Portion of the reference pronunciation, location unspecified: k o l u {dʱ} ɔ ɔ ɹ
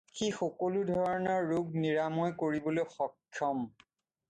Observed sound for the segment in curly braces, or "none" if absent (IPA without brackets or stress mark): dʱ